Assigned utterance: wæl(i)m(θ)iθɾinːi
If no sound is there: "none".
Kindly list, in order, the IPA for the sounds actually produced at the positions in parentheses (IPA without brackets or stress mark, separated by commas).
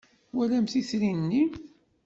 æ, θ